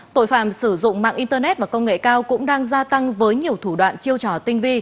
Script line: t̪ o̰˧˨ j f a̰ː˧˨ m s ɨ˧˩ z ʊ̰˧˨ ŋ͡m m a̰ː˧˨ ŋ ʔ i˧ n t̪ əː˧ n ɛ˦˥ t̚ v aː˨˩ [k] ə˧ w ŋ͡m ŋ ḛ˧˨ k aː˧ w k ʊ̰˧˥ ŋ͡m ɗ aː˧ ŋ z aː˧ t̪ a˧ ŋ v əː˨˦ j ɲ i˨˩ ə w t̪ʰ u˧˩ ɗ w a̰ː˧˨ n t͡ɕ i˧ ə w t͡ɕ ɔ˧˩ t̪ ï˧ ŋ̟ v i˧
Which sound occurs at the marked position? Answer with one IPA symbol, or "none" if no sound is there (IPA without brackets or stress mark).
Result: k